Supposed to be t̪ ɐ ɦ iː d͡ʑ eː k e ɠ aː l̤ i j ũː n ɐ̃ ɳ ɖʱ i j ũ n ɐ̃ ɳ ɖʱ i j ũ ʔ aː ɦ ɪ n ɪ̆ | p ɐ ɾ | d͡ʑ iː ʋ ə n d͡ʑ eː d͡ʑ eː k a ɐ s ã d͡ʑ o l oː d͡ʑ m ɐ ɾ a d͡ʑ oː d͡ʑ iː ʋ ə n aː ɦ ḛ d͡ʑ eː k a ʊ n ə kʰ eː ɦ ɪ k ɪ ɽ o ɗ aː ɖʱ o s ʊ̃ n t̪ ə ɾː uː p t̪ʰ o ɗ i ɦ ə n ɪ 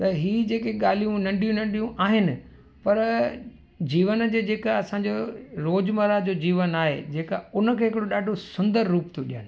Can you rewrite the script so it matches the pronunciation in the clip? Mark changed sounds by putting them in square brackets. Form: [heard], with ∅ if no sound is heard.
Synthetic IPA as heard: t̪ ɐ ɦ iː d͡ʑ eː k e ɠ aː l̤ i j [ũ] n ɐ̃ ɳ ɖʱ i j ũ n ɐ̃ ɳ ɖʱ i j ũ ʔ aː ɦ ɪ n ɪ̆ | p ɐ ɾ | d͡ʑ iː ʋ ə n d͡ʑ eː d͡ʑ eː k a ɐ s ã d͡ʑ o [ɾ] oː d͡ʑ m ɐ ɾ a d͡ʑ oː d͡ʑ iː ʋ ə n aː ɦ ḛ d͡ʑ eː k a ʊ n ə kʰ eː ɦ ɪ k ɪ ɽ o ɗ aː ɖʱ o s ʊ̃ n [d̪] ə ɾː uː p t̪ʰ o ɗ i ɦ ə n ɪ